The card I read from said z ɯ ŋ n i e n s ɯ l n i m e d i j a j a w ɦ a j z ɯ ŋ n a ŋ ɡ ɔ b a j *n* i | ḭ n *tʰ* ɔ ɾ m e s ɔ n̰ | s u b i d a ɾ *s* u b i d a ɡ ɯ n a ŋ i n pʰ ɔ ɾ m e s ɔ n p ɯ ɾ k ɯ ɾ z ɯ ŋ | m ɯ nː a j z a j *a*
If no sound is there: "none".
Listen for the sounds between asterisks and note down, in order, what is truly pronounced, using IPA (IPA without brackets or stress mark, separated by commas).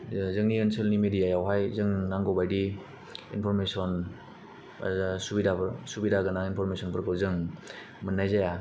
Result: d, pʰ, s, a